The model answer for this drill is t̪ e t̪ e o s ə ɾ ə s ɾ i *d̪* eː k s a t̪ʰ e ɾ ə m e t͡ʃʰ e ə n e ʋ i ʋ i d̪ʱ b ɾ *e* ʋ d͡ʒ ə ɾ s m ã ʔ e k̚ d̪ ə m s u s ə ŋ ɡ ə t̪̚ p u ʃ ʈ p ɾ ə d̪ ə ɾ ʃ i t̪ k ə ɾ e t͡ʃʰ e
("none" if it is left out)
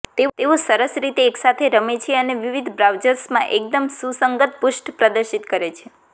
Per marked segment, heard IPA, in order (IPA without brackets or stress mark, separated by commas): t̪, a